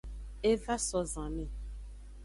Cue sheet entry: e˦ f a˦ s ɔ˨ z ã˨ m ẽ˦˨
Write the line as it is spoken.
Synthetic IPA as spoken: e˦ v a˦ s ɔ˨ z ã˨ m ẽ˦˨